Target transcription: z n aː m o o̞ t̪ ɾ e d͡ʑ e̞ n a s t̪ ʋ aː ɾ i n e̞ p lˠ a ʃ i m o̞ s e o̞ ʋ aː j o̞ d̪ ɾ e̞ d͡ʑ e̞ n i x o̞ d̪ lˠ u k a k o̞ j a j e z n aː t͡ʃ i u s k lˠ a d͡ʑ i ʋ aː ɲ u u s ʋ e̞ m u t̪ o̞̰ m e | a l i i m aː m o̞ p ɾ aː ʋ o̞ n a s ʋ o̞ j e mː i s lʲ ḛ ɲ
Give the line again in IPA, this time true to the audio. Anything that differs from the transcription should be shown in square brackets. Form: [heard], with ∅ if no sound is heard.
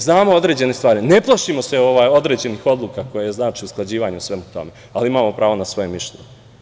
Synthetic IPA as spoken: z n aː m o o̞ [d̪] ɾ e d͡ʑ e̞ n [e] s t̪ ʋ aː ɾ i n e̞ p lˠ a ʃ i m o̞ s e o̞ ʋ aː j o̞ d̪ ɾ e̞ d͡ʑ e̞ n i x o̞ d̪ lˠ u k a k o̞ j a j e z n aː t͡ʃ i u s k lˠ a d͡ʑ [iː] ʋ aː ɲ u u s ʋ e̞ m u t̪ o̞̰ m e | a l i i m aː m o̞ p ɾ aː ʋ o̞ n a s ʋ o̞ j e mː i [ʃ] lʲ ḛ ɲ